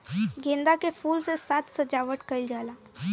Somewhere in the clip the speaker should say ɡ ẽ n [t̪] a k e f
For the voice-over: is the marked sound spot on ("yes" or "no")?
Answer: no